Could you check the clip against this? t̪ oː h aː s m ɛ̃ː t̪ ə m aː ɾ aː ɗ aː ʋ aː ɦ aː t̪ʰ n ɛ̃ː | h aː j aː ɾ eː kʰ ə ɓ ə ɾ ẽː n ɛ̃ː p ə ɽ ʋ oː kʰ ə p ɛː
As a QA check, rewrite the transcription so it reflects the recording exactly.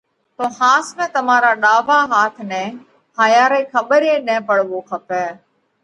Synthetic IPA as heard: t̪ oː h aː s m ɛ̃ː t̪ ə m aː ɾ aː ɗ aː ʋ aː ɦ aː t̪ʰ n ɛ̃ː | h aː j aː ɾ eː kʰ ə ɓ ə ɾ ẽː n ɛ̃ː p ə ɽ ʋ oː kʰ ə p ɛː